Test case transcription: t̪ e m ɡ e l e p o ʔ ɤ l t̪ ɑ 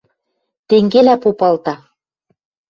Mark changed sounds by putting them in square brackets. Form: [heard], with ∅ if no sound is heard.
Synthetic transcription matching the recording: t̪ e [ŋ] ɡ e l [æ] p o [p] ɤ l t̪ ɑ